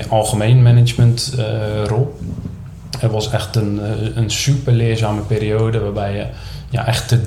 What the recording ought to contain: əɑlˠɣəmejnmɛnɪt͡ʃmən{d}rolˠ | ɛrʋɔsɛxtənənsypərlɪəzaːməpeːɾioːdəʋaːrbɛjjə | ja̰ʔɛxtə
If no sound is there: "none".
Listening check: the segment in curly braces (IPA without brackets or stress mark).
t